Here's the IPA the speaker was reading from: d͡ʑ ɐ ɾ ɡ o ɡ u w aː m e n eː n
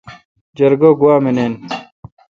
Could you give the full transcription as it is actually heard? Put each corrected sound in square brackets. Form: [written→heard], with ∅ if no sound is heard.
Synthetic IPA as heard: d͡ʑ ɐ ɾ ɡ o ɡ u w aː m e n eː n

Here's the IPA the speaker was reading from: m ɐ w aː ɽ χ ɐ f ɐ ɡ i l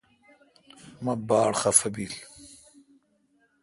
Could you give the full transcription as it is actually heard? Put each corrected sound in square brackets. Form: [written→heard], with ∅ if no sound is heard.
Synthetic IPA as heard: m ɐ [w→b] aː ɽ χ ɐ f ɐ [ɡ→b] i l

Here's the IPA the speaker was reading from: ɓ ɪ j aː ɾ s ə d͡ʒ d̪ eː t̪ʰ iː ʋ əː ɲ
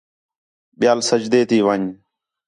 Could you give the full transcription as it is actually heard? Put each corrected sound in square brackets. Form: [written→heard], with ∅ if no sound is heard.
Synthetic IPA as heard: ɓ ɪ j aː [ɾ→l] s ə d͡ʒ d̪ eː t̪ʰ iː ʋ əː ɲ

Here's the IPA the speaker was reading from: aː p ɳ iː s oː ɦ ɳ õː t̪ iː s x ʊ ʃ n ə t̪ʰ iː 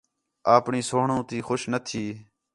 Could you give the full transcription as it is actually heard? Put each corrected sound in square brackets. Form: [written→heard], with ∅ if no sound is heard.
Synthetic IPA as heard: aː p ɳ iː s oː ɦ ɳ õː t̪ iː [s→∅] x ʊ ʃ n ə t̪ʰ iː

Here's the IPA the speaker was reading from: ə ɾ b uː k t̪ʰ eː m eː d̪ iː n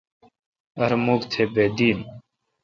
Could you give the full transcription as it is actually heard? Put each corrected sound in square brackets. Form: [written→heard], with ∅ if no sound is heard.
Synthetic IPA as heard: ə ɾ [b→m] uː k t̪ʰ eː [m→b] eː d̪ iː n

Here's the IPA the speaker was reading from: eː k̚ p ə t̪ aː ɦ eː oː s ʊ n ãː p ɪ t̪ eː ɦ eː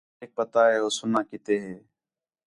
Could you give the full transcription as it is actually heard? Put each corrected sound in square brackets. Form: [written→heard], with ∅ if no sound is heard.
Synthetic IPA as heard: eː k̚ p ə t̪ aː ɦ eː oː s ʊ n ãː [p→k] ɪ t̪ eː ɦ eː

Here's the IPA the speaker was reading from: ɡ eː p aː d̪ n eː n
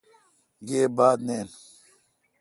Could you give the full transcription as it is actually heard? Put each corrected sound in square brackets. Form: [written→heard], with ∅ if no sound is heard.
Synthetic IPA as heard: ɡ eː [p→b] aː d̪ n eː n

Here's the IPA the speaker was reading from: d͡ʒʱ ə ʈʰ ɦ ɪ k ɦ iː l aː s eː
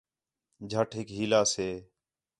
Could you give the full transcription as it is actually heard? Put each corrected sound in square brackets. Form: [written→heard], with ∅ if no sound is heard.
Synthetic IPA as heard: d͡ʒʱ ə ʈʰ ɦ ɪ k ɦ iː l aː s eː

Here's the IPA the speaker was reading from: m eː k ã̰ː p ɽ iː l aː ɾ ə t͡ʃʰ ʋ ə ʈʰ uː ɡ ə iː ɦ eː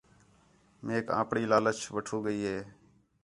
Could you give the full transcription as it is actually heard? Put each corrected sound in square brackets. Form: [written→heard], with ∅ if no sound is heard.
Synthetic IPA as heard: m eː k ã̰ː p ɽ iː l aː [ɾ→l] ə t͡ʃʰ ʋ ə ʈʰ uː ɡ ə iː ɦ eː

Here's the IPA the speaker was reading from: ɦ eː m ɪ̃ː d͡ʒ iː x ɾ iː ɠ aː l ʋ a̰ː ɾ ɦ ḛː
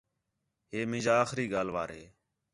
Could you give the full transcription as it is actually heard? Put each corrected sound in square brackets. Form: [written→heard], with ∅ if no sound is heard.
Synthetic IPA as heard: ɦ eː m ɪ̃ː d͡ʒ [iː→aː] x ɾ iː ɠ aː l ʋ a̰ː ɾ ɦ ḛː

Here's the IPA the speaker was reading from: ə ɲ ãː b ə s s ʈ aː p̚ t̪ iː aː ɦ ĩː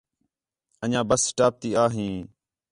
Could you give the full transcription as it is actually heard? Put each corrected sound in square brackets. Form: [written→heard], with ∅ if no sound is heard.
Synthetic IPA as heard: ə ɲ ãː b ə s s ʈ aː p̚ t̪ iː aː ɦ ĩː

